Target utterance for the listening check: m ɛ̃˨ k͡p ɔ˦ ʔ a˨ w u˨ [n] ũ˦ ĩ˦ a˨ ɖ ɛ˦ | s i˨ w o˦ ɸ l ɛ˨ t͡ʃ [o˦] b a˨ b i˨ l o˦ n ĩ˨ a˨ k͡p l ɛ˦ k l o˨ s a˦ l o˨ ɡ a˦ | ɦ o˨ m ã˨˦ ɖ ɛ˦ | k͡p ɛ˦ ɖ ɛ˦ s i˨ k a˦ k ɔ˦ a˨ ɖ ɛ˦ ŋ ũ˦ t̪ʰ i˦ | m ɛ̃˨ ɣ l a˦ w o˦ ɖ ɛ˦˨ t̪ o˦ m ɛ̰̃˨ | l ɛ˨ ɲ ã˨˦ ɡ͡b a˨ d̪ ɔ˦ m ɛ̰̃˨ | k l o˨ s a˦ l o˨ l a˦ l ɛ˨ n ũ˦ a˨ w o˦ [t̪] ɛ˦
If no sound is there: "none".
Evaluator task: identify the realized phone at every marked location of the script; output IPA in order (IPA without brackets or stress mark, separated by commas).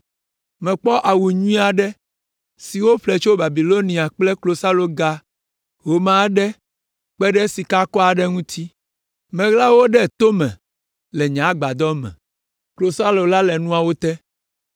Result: ɲ, o˦, t̪